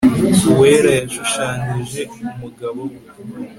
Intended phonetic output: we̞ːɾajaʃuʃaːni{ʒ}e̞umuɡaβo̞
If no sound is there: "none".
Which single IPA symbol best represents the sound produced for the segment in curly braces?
ʒ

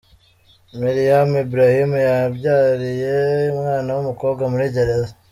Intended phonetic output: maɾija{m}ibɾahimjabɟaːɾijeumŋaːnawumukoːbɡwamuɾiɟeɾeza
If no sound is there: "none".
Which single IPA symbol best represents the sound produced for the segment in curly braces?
m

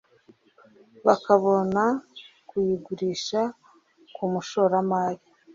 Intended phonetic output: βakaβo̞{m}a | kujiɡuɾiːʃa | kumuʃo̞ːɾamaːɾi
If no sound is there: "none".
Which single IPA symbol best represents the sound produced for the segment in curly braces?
n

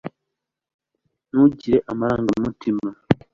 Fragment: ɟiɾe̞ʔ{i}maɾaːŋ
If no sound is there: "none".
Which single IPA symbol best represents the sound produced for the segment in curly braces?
a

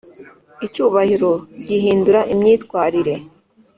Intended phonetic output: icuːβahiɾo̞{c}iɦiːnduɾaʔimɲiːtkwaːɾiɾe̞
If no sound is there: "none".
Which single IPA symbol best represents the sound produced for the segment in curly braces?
ɟ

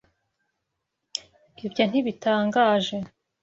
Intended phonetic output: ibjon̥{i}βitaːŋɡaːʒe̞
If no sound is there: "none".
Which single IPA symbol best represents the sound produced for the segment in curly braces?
i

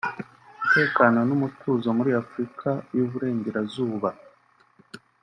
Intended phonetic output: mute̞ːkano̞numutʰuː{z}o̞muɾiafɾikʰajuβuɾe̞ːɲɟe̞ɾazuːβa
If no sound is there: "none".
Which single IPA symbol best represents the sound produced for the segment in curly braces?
z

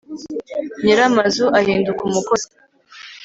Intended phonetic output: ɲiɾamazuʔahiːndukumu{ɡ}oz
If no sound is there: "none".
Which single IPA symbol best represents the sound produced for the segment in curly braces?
k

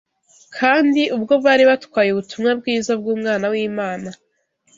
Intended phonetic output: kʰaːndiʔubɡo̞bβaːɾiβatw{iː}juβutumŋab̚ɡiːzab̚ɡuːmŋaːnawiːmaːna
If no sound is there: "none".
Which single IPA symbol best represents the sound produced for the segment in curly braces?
aː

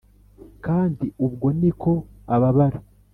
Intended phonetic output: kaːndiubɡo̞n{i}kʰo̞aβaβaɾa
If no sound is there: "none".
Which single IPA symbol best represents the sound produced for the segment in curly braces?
i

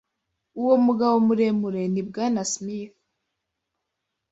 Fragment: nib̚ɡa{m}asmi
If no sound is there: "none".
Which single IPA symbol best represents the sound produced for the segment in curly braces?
n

